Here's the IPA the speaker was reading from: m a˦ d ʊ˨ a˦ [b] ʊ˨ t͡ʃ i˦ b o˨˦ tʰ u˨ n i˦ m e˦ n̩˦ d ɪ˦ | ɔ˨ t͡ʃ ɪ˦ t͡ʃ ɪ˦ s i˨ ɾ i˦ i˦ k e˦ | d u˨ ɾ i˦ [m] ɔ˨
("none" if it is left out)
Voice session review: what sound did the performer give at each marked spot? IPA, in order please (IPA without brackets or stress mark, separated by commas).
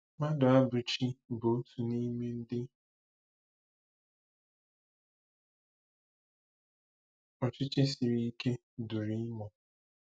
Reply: b, m